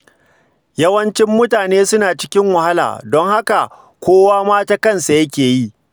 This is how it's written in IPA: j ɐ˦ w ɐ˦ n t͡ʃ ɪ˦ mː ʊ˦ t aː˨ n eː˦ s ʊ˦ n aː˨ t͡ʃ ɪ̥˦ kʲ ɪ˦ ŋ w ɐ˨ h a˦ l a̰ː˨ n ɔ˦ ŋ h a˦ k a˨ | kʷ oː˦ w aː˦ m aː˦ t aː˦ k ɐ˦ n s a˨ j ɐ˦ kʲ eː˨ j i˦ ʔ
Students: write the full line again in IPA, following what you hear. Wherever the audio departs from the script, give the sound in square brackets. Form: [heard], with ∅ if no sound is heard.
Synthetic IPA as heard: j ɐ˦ w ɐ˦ n t͡ʃ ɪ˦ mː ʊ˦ t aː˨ n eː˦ s ʊ˦ n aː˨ t͡ʃ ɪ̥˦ kʲ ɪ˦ ŋ w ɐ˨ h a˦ l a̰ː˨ [d] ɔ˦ ŋ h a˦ k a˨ | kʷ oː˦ w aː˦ m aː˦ t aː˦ k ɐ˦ n s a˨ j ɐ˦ kʲ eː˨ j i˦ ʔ